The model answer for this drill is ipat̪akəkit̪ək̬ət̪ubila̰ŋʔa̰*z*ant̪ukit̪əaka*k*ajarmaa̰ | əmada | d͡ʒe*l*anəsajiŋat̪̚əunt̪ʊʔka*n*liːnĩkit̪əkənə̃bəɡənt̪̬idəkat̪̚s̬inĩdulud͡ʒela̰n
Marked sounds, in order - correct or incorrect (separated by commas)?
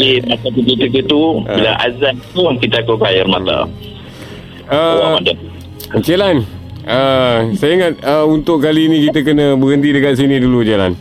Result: correct, correct, correct, incorrect